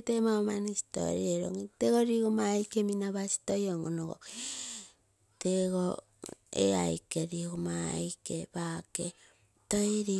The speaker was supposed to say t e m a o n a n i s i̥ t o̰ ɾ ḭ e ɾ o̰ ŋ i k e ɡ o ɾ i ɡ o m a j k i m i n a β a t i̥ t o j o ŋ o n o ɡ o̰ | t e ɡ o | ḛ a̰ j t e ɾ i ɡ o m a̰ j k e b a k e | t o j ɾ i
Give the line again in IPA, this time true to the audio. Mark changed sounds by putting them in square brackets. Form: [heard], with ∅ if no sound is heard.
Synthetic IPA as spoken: t e m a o [m] a n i s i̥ t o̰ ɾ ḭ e ɾ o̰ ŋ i [t] e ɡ o ɾ i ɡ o m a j k [e] m i n a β a [s] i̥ t o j o ŋ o n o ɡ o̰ | t e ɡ o | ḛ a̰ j [k] e ɾ i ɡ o m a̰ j k e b a k e | t o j ɾ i